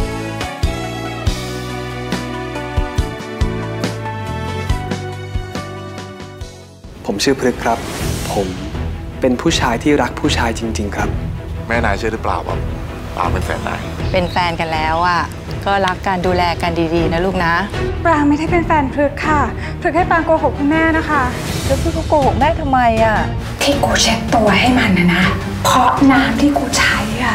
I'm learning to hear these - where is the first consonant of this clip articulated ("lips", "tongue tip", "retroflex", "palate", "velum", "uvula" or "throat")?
lips